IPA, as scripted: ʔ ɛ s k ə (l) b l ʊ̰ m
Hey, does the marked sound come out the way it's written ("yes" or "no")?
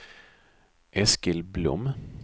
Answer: yes